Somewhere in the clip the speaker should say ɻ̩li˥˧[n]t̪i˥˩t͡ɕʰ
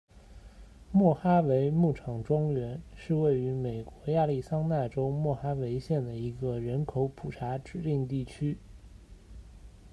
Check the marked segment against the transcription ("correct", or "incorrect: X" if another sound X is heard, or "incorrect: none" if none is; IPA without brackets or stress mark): incorrect: ŋ